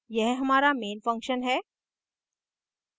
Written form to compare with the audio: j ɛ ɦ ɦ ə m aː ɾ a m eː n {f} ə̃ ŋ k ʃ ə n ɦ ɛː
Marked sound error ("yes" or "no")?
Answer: no